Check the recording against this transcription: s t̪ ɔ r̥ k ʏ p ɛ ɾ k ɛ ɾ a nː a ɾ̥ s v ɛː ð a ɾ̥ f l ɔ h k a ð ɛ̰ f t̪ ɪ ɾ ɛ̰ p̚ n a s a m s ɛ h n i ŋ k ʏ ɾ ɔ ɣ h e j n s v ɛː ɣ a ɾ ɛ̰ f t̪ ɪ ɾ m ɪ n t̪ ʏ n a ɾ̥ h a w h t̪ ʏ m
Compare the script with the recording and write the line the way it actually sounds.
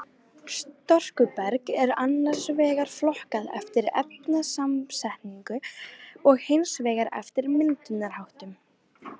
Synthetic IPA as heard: s t̪ ɔ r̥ k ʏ p ɛ ɾ k ɛ ɾ a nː a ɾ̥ s v ɛː ɣ a ɾ̥ f l ɔ h k a ð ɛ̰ f t̪ ɪ ɾ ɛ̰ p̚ n a s a m s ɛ h n i ŋ k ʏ ɔ ɣ h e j n s v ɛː ɣ a ɾ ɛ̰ f t̪ ɪ ɾ m ɪ n t̪ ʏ n a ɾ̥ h a w h t̪ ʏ m

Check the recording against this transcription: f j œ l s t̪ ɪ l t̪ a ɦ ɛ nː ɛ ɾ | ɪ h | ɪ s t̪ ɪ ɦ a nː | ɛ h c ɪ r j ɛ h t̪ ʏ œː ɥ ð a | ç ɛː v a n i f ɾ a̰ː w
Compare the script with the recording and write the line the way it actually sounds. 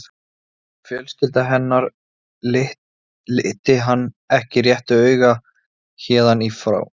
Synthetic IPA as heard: f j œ l s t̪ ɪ l t̪ a ɦ ɛ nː a ɾ | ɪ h | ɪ h t̪ ɪ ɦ a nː | ɛ h c ɪ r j ɛ h t̪ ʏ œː ɥ ɣ a | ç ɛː ð a n i f ɾ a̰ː w

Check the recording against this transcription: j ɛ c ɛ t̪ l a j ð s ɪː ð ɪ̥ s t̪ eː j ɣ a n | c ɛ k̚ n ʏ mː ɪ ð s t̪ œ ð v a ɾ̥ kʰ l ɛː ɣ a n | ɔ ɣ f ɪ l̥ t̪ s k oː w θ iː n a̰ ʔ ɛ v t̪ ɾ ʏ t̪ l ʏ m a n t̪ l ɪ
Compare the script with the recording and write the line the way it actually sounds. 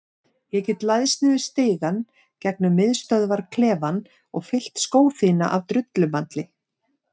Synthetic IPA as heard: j ɛ c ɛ t̪ l a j ð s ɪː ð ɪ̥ s t̪ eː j ɣ a n | c ɛ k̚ n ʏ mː ɪ ð s t̪ œ ð v a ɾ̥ kʰ l ɛː v a n | ɔ ɣ f ɪ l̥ t̪ s k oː w θ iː n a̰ ʔ a v t̪ ɾ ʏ t̪ l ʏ m a n t̪ l ɪ

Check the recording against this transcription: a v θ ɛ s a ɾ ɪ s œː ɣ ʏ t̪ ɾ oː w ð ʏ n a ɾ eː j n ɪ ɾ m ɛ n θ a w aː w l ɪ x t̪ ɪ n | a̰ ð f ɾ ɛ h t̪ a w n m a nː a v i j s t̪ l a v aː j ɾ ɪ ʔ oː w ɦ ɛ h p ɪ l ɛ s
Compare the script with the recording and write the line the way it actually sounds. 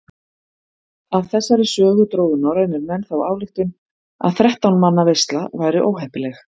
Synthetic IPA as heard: a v θ ɛ sː a ɾ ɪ s œː ɣ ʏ t̪ ɾ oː w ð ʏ n a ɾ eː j n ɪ ɾ m ɛ n θ a w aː w l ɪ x t̪ ɪ n | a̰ ð θ ɾ ɛ h t̪ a w n m a nː a v e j s t̪ l a v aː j ɾ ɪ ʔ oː w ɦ ɛ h p ɪ l ɛ x

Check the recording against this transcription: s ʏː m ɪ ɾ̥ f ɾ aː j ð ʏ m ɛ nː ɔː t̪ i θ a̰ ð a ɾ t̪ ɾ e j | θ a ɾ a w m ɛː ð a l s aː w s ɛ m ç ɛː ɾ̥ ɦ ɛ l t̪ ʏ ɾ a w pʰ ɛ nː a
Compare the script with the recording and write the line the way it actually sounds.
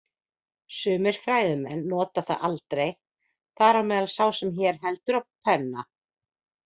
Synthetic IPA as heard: s ʏː m ɪ ɾ̥ f ɾ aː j ð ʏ m ɛ nː ɔː t̪ a θ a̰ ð a l t̪ ɾ e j | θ a ɾ a w m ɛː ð a l s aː w s ɛ m ç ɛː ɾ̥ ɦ ɛ l t̪ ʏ ɾ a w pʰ ɛ nː a

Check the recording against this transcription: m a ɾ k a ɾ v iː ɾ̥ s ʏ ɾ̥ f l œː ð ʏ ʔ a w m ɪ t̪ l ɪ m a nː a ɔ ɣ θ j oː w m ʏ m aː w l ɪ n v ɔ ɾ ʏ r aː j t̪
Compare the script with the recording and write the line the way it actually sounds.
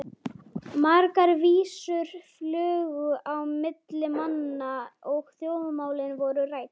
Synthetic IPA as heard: m a ɾ k a ɾ v iː s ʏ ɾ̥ f l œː ɣ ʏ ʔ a w m ɪ t̪ l ɪ m a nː a ɔ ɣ θ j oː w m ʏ m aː w l ɪ n v ɔ ɾ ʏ r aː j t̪

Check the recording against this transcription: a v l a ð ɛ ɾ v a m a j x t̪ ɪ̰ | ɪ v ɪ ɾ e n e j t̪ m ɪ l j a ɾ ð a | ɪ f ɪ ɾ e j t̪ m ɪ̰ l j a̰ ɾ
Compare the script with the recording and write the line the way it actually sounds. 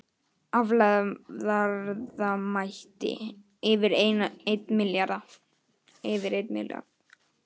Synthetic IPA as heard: a v l a ð a ɾ ð a m a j h t̪ ɪ̰ | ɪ v ɪ ɾ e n e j t̪ m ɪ l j a ɾ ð a | ɪ v ɪ ɾ e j t̪ m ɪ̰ l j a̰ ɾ

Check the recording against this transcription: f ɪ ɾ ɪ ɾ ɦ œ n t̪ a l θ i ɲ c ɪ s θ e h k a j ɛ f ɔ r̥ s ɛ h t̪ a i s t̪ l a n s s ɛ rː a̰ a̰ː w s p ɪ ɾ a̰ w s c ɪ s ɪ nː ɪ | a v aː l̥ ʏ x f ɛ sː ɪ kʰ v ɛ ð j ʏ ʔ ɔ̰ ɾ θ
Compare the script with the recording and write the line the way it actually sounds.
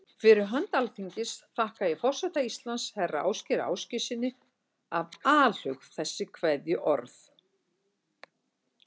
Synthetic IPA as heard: f ɪ ɾ ɪ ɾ ɦ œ n t̪ a l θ i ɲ c ɪ s θ a h k a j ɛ f ɔ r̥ s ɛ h t̪ a i s t̪ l a n s h ɛ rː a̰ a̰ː w s c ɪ ɾ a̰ w s c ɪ s ɪ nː ɪ | a v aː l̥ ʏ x θ ɛ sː ɪ kʰ v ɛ ð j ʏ ʔ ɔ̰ ɾ θ

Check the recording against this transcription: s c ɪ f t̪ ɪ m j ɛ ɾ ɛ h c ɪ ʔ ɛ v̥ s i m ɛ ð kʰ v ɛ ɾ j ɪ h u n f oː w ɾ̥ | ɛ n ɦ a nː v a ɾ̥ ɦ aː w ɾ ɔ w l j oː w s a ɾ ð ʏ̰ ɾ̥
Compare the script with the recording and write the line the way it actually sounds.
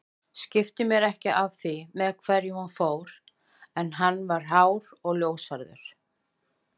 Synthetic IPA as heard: s c ɪ f t̪ ɪ m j ɛ ɾ ɛ h c ɪ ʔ a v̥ θ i m ɛ ð kʰ v ɛ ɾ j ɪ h u n f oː w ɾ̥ | ɛ n ɦ a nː v a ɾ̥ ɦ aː w ɾ ɔ ɣ l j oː w s a ɾ ð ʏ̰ ɾ̥

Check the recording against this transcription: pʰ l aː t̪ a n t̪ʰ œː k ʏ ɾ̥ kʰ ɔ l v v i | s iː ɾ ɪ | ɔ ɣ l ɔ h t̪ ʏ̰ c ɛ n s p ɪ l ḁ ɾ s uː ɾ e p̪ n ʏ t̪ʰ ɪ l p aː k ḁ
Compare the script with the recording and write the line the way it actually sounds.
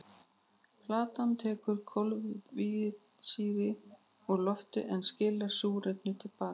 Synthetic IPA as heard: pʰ l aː t̪ a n t̪ʰ ɛː k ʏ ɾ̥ kʰ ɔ l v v i | s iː ɾ ɪ | ɔ ɣ l ɔ f t̪ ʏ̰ ʔ ɛ n s c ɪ l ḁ s uː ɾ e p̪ n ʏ t̪ʰ ɪ l p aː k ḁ

